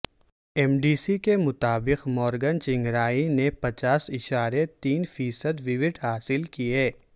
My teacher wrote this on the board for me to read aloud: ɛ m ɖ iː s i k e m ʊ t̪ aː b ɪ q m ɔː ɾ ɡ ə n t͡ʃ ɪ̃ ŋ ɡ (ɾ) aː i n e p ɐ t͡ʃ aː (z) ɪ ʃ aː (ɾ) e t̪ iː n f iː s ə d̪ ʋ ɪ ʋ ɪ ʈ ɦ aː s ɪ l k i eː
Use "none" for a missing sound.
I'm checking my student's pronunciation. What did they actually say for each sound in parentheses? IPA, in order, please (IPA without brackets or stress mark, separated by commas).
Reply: ɾ, s, ɾ